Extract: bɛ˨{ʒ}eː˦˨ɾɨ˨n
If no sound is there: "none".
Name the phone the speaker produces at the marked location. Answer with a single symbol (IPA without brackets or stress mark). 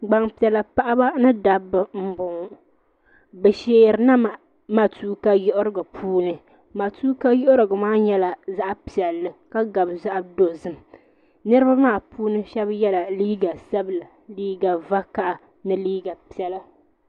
ʃ